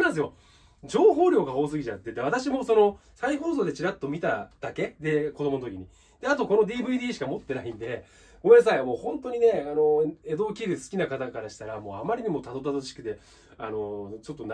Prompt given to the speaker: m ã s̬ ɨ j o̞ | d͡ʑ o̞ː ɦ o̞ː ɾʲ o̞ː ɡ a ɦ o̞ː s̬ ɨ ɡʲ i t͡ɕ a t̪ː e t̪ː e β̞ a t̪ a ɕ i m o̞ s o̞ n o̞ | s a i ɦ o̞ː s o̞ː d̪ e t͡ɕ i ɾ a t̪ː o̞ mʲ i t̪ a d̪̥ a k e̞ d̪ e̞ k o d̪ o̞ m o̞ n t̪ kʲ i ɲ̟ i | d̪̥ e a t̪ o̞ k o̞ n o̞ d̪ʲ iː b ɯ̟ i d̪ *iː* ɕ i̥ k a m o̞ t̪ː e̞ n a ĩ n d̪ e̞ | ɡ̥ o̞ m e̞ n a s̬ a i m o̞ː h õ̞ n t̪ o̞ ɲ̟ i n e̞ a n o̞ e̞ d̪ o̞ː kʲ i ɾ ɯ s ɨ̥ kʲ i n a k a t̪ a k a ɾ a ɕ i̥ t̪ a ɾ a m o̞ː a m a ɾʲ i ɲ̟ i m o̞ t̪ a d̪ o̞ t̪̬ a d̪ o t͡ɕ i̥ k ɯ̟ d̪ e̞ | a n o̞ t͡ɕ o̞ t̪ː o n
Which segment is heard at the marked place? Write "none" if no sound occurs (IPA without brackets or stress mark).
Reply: iː